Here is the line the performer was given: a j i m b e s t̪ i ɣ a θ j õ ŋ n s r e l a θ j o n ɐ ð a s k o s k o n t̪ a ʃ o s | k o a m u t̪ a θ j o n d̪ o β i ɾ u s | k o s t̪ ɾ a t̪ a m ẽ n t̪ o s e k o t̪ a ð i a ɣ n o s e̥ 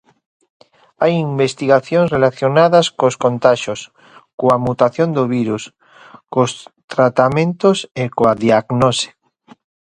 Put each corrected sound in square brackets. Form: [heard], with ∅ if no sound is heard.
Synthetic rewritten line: a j i m b e s t̪ i ɣ a θ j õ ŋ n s r e l a θ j o n [a] ð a s k o s k o n t̪ a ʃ o s | k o a m u t̪ a θ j o n d̪ o β i ɾ u s | k o s t̪ ɾ a t̪ a m ẽ n t̪ o s e k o [∅] a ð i a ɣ n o s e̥

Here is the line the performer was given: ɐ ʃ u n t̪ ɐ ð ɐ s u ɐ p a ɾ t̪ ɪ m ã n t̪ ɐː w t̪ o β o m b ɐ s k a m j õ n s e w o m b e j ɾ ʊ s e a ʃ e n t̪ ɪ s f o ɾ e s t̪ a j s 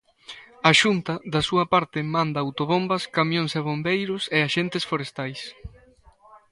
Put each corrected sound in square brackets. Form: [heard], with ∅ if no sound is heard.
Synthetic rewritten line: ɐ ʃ u n t̪ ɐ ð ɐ s u ɐ p a ɾ t̪ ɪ m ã n [d̪] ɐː w t̪ o β o m b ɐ s k a m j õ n s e [β] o m b e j ɾ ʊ s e a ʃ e n t̪ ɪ s f o ɾ e s t̪ a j s

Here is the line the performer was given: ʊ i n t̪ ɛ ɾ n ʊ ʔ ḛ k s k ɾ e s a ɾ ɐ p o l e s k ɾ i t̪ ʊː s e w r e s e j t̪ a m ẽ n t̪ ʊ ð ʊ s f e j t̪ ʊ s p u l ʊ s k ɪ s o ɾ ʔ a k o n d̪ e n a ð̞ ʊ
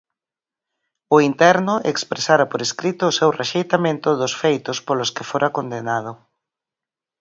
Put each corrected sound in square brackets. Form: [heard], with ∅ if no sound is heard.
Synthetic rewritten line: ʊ i n t̪ ɛ ɾ n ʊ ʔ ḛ k s [p] ɾ e s a ɾ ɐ p o [ɾ] e s k ɾ i t̪ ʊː s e w r e [ʃ] e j t̪ a m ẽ n t̪ ʊ ð ʊ s f e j t̪ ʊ s p [o] l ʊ s k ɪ [f] o ɾ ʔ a k o n d̪ e n a ð̞ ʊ

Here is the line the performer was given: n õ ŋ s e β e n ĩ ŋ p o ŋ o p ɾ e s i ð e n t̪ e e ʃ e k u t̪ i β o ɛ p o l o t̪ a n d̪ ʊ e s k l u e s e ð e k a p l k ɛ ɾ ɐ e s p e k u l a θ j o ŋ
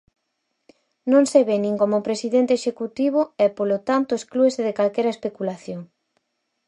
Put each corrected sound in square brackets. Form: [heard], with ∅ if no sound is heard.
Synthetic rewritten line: n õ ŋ s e β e n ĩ ŋ [k] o [m] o p ɾ e s i ð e n t̪ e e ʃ e k u t̪ i β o ɛ p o l o t̪ a n [t̪] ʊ e s k l u e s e ð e k a [∅] l k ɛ ɾ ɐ e s p e k u l a θ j o ŋ

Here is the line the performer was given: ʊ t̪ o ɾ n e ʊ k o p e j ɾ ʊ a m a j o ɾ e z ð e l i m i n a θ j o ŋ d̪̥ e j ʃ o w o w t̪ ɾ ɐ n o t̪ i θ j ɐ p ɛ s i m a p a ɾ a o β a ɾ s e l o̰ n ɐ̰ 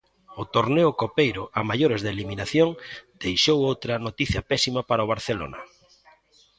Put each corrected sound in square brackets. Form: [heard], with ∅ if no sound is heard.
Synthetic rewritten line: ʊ t̪ o ɾ n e ʊ k o p e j ɾ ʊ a m a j o ɾ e z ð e l i m i n a θ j o ŋ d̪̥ e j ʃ o w o w t̪ ɾ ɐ n o t̪ i θ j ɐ p ɛ s i m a p a ɾ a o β a ɾ [θ] e l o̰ n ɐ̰

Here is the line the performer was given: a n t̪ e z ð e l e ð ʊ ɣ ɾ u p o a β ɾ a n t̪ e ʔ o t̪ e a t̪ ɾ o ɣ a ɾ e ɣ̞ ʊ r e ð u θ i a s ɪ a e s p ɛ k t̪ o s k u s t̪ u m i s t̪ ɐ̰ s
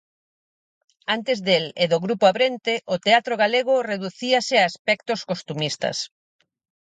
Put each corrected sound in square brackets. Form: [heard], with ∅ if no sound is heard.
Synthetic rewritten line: a n t̪ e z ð e l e ð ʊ ɣ ɾ u p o a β ɾ [e] n t̪ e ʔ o t̪ e a t̪ ɾ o ɣ a [l] e ɣ̞ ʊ r e ð u θ i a s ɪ a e s p ɛ k t̪ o s k [o] s t̪ u m i s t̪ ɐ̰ s

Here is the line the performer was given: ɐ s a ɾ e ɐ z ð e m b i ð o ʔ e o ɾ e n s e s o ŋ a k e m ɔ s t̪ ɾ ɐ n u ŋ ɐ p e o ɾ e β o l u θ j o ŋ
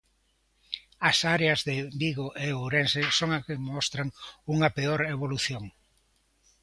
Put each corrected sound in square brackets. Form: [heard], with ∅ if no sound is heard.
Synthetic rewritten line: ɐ s a ɾ e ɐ z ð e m b i [ɣ] o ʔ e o ɾ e n s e s o ŋ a k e m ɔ s t̪ ɾ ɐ [ŋ] u ŋ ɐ p e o ɾ e β o l u θ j o ŋ

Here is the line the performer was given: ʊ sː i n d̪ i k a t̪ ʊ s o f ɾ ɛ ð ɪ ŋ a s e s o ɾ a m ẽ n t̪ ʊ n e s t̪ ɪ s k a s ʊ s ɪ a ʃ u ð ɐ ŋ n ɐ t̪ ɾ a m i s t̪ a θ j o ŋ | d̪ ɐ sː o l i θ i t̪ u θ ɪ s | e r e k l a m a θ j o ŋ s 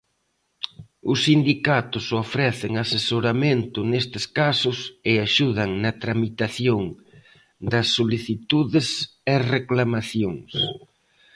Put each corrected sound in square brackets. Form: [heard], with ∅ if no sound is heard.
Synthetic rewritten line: ʊ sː i n d̪ i k a t̪ ʊ s o f ɾ ɛ [θ] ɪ ŋ a s e s o ɾ a m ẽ n t̪ ʊ n e s t̪ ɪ s k a s ʊ s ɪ a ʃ u ð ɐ ŋ n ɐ t̪ ɾ a m i [∅] t̪ a θ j o ŋ | d̪ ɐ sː o l i θ i t̪ u [ð] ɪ s | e r e k l a m a θ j o ŋ s

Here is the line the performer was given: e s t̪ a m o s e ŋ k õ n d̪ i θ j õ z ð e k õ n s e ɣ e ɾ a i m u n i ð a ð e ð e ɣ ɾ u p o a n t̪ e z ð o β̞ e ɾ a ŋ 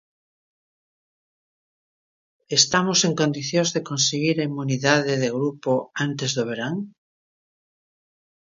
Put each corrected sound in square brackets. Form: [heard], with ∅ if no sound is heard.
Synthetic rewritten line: e s t̪ a m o s e ŋ k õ n d̪ i θ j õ z ð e k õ n s e ɣ [i] ɾ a i m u n i ð a ð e ð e ɣ ɾ u p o a n t̪ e z ð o β̞ e ɾ a ŋ

